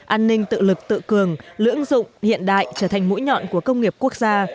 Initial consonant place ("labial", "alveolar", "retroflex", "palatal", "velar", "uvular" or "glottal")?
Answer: glottal